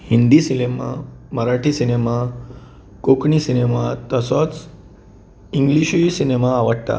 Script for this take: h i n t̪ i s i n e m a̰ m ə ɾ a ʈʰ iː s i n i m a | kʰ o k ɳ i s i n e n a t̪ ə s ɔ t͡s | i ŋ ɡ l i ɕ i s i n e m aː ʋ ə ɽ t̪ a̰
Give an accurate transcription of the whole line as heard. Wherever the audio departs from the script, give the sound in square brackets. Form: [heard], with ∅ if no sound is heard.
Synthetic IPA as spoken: h i n [d̪] i s i n e m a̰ m ə ɾ a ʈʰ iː s i n [e] m a | [k] o k ɳ i s i n e [m] a t̪ ə s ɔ t͡s | i ŋ ɡ l i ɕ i s i n e m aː ʋ ə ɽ t̪ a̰